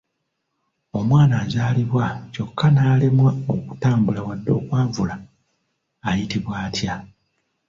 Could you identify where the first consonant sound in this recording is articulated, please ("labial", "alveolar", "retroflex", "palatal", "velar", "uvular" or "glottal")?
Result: labial